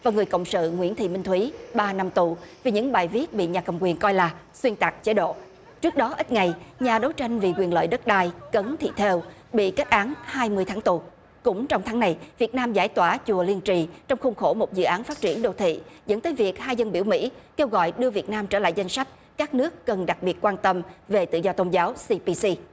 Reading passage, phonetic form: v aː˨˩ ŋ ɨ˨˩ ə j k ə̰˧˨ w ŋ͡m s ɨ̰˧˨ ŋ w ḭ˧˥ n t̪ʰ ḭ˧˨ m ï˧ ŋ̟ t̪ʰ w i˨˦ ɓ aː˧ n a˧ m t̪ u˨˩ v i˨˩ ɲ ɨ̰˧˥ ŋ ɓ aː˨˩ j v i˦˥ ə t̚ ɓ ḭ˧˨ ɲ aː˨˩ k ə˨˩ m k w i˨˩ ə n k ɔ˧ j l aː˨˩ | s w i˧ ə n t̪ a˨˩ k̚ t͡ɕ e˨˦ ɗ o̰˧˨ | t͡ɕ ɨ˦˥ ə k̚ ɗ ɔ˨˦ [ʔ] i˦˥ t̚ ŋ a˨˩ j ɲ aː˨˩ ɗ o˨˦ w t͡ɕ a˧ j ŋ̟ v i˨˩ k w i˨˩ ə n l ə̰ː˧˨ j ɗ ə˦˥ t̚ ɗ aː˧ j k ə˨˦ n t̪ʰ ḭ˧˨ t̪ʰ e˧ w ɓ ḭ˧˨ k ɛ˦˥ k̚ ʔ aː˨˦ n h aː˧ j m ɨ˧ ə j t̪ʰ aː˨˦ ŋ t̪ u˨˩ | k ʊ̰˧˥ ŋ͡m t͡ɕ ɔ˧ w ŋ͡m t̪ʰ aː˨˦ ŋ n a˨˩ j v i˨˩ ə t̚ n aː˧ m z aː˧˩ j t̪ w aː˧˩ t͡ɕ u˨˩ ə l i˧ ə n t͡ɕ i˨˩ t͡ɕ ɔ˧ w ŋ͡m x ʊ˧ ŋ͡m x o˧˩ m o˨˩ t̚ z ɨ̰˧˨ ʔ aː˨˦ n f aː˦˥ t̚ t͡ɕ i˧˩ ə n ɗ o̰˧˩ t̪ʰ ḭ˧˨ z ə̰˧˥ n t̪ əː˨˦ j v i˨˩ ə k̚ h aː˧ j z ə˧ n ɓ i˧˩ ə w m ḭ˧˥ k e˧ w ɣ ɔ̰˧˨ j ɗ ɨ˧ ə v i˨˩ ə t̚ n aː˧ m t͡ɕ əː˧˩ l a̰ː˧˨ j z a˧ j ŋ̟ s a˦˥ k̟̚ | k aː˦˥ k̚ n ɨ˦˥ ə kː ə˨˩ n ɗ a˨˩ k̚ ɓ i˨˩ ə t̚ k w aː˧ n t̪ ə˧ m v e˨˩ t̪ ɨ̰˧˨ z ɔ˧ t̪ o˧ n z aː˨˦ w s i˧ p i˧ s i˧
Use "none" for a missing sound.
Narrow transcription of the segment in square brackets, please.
ʔ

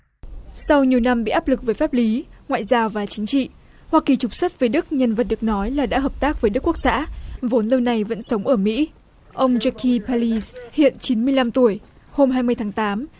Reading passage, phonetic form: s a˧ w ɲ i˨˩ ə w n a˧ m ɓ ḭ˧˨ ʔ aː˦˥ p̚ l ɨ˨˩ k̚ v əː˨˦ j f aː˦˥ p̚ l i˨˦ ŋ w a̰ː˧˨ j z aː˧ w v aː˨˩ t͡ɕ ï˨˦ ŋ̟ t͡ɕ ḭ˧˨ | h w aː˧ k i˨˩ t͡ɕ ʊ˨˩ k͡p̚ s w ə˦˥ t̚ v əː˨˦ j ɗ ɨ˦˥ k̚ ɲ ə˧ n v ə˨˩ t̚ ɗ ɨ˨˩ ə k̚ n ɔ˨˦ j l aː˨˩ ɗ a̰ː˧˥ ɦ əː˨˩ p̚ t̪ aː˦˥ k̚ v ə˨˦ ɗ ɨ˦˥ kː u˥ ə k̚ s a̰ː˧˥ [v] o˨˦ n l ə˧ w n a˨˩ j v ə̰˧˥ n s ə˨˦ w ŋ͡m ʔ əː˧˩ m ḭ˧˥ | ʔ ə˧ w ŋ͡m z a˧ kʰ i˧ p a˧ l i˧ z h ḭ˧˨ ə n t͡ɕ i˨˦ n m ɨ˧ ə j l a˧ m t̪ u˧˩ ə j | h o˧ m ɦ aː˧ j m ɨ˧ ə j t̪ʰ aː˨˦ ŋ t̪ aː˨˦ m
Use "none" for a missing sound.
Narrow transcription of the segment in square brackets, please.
v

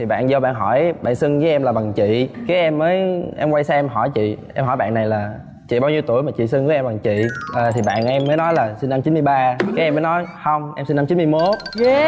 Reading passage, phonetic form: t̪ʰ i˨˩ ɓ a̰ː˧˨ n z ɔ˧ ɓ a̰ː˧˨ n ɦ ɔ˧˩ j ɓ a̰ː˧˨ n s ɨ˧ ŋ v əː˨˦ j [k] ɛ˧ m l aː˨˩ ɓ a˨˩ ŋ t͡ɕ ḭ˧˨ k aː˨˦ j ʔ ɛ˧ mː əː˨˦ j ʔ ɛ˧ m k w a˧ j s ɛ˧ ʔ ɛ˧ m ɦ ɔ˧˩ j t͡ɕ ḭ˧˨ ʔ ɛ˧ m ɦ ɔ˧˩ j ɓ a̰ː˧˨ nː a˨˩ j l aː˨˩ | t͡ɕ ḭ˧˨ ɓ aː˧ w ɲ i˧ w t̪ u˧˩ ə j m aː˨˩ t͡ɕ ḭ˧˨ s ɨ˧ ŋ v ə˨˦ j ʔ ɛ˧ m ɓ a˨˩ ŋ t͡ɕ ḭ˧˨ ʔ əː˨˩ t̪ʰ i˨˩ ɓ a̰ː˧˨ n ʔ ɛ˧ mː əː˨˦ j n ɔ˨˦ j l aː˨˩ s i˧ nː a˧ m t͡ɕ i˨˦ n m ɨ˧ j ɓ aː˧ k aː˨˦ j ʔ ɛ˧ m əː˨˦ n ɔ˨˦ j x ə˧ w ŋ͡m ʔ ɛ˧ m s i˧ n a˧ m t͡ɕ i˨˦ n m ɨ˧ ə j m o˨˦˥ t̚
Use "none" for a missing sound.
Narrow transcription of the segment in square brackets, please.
ʔ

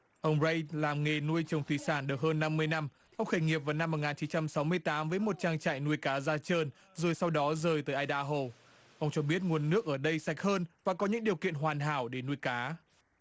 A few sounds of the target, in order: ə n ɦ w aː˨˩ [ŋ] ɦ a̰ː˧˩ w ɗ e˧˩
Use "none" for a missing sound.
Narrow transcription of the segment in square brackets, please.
n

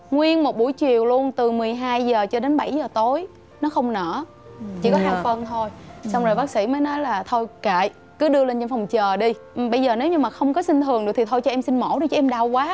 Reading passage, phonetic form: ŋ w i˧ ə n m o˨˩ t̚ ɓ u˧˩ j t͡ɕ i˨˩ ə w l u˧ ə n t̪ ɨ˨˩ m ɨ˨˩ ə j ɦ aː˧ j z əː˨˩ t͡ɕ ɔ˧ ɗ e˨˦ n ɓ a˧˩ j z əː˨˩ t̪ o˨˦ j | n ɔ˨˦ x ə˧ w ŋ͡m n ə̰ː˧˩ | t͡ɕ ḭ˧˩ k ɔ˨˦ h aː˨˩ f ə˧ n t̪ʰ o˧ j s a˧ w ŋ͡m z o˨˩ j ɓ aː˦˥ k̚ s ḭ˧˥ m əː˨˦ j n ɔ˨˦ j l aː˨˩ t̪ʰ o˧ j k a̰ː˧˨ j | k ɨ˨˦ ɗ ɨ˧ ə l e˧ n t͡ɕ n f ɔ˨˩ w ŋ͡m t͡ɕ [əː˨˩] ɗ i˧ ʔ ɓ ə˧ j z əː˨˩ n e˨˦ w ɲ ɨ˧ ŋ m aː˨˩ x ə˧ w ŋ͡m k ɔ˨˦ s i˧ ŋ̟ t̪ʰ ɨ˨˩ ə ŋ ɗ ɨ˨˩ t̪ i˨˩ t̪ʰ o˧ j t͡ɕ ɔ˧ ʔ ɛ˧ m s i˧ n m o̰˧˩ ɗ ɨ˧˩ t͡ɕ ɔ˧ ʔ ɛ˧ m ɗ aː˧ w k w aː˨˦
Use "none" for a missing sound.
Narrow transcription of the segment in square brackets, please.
əː˨˩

